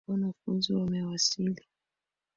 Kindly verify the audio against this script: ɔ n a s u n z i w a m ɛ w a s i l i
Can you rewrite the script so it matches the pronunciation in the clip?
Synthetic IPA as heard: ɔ n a f u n z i w a m ɛ w a s i l i